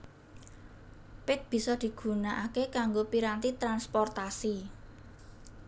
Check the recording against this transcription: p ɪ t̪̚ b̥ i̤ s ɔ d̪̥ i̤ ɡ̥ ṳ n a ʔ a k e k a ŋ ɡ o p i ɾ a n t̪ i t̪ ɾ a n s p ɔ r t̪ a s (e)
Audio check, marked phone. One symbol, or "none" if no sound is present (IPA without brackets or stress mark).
i